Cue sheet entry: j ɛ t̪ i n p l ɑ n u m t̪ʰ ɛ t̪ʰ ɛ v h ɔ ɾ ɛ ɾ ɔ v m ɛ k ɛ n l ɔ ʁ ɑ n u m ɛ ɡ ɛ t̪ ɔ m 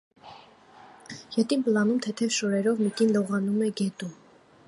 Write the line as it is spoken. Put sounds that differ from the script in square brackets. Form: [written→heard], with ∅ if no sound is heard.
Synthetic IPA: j ɛ t̪ i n p l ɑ n u m t̪ʰ ɛ t̪ʰ ɛ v [h→ʃ] ɔ ɾ ɛ ɾ ɔ v m [ɛ→i] k [ɛ→i] n l ɔ ʁ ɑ n u m ɛ ɡ ɛ t̪ [ɔ→u] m